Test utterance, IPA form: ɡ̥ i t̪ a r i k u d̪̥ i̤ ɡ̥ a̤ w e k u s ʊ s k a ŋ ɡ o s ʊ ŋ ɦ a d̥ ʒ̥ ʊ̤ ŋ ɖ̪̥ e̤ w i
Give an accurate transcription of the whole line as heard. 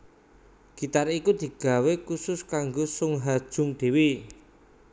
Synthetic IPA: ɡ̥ i t̪ a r i k u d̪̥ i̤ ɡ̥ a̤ w e k u s ʊ s k a ŋ ɡ o s ʊ ŋ ɦ a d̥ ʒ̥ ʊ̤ ŋ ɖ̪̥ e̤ w i